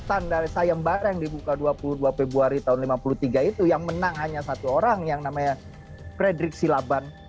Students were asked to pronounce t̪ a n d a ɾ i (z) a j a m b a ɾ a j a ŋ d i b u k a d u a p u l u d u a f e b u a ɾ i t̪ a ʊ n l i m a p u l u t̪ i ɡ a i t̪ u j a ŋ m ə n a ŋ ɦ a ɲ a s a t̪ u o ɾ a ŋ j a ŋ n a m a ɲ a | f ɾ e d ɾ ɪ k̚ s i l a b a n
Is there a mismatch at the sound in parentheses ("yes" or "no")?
yes